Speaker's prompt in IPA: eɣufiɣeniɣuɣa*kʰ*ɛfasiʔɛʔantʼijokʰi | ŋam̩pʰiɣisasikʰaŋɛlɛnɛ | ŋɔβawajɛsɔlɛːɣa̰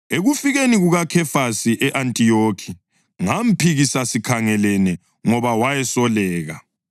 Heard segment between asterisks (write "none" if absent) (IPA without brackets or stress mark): kʰ